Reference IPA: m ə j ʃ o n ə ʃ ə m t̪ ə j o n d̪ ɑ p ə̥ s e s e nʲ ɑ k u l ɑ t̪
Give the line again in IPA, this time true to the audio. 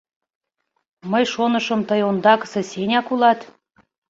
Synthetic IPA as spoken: m ə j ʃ o n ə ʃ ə m t̪ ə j o n d̪ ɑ k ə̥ s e s e nʲ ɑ k u l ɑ t̪